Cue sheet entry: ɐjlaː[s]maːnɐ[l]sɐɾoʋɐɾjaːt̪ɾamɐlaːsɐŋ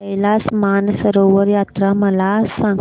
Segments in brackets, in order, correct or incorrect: correct, incorrect

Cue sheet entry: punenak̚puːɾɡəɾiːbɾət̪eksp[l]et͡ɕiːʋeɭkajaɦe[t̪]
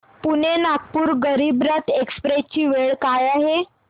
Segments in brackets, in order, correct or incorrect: incorrect, incorrect

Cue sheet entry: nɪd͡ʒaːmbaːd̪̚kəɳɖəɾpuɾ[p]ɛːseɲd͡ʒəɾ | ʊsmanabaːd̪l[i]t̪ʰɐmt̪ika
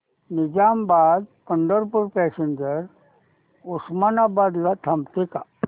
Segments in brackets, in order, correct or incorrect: correct, incorrect

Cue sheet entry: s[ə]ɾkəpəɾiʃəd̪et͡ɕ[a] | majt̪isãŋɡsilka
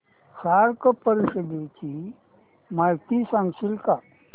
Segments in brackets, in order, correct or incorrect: incorrect, incorrect

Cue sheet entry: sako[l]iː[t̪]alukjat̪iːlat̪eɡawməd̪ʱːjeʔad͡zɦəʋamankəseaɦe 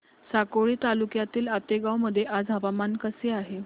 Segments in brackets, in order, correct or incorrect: incorrect, correct

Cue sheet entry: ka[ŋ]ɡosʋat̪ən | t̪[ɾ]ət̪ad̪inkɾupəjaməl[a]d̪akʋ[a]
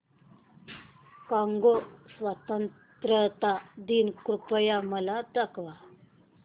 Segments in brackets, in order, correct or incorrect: correct, correct, correct, correct

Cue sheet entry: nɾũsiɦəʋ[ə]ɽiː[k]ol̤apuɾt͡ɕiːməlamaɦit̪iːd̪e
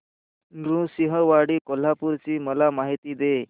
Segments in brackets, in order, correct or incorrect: incorrect, correct

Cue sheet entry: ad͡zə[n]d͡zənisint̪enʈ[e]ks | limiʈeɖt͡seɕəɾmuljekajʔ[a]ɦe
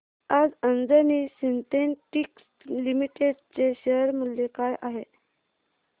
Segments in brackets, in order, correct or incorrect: correct, incorrect, correct

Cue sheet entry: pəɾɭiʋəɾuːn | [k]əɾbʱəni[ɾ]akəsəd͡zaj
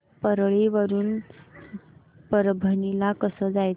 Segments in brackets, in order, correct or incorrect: incorrect, incorrect

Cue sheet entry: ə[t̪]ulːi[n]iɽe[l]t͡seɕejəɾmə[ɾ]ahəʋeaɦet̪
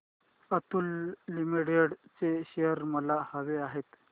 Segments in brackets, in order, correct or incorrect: correct, incorrect, incorrect, incorrect

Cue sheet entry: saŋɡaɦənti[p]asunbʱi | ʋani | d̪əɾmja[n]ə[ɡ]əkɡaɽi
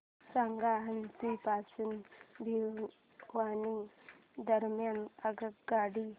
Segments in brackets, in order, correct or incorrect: correct, correct, correct

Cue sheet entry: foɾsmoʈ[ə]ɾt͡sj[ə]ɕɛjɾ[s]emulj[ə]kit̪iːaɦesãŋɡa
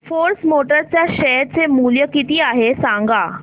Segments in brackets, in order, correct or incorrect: correct, incorrect, incorrect, correct

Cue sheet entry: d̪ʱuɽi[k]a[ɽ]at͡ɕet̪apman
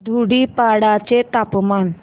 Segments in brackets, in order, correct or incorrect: incorrect, correct

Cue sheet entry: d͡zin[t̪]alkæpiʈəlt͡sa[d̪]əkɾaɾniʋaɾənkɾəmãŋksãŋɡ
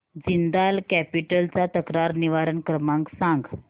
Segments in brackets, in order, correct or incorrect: incorrect, incorrect

